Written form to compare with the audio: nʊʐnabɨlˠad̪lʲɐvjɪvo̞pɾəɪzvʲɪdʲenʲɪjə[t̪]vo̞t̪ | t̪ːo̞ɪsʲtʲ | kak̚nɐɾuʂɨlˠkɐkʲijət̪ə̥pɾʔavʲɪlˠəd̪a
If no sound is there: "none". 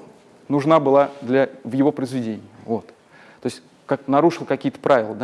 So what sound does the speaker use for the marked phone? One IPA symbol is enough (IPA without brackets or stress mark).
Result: none